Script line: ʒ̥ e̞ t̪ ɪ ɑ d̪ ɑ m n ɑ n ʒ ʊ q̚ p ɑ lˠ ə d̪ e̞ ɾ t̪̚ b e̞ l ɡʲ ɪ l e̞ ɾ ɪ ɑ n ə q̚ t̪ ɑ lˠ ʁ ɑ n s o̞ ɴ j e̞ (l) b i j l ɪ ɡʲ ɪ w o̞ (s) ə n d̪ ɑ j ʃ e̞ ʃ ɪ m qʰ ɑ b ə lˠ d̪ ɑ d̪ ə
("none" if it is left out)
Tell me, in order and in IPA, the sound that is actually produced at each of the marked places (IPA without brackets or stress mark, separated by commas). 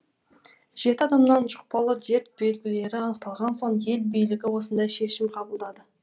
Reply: l, s